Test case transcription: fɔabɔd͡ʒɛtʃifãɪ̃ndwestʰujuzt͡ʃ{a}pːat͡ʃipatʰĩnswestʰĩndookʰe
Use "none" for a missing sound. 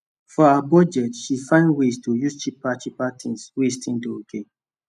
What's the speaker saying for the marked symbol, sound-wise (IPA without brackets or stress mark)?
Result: i